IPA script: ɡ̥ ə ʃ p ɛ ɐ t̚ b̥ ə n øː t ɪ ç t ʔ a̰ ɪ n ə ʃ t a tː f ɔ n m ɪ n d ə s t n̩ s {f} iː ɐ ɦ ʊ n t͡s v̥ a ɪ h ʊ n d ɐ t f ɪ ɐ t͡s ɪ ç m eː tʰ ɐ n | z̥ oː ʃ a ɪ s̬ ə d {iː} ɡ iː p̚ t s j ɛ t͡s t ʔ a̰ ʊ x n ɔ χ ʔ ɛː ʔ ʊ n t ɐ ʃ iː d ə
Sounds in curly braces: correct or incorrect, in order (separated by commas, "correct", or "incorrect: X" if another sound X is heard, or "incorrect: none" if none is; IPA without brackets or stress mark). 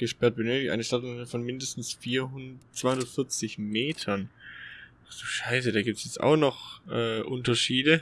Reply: correct, incorrect: aː